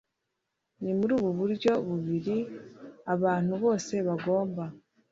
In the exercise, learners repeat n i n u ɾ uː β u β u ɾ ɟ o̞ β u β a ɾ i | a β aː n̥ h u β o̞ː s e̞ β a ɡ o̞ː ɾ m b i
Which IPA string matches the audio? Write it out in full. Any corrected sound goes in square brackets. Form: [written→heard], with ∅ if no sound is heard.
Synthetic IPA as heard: n i [n→m] u ɾ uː β u β u ɾ ɟ o̞ β u β [a→i] ɾ i | a β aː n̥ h u β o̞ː s e̞ β a ɡ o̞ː [ɾ→∅] m b [i→a]